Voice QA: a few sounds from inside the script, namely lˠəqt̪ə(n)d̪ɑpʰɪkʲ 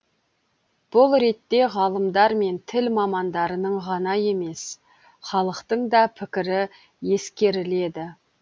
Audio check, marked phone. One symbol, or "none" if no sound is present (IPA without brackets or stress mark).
ɴ